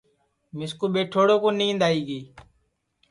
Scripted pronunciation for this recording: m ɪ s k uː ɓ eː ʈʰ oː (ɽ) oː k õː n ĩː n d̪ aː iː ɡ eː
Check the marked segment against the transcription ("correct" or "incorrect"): correct